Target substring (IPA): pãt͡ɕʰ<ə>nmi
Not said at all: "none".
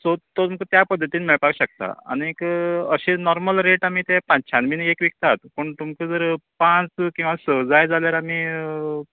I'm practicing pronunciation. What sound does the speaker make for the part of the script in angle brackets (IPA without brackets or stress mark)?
a